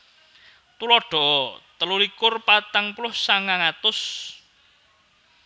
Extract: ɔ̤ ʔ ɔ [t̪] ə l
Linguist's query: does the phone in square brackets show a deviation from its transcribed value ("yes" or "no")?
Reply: no